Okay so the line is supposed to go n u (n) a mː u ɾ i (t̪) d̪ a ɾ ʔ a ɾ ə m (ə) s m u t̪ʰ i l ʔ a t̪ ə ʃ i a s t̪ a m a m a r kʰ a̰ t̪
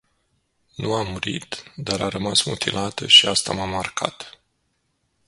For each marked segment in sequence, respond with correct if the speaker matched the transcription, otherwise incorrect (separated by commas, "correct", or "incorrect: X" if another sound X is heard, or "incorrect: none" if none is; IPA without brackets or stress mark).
incorrect: none, correct, incorrect: a